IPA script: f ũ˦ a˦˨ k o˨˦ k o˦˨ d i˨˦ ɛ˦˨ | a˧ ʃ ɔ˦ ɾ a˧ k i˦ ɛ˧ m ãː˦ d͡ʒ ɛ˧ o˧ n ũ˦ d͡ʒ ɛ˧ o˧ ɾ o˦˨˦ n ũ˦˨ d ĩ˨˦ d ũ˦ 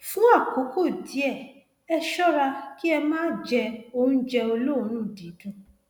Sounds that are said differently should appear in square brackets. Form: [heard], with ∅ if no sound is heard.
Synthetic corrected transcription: f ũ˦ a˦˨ k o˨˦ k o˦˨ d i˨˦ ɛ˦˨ | [ɛ˧] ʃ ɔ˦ ɾ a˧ k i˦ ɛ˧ m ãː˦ d͡ʒ ɛ˧ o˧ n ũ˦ d͡ʒ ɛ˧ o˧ [l] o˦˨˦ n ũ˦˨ d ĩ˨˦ d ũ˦